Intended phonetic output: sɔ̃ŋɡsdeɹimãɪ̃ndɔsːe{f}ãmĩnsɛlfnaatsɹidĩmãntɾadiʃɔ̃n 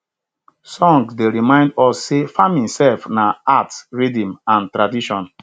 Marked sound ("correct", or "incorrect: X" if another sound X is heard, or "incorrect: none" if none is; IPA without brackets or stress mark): correct